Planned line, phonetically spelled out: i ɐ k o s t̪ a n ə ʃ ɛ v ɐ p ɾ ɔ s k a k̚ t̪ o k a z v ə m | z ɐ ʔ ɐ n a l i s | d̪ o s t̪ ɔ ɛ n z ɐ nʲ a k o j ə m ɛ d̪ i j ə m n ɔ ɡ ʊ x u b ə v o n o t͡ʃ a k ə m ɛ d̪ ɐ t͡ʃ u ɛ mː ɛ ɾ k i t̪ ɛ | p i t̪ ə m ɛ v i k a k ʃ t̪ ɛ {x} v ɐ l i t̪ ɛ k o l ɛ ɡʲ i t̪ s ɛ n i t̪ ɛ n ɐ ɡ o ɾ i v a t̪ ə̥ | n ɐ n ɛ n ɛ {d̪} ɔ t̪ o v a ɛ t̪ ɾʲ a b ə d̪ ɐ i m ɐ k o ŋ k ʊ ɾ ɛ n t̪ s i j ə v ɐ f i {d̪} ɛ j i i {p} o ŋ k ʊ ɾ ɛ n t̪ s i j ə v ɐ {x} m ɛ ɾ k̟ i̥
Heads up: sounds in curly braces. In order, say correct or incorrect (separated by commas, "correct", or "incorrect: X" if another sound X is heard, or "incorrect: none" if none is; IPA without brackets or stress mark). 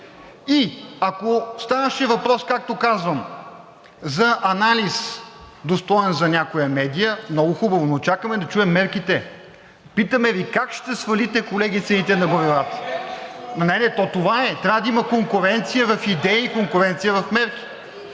incorrect: s, incorrect: t̪, correct, incorrect: k, incorrect: f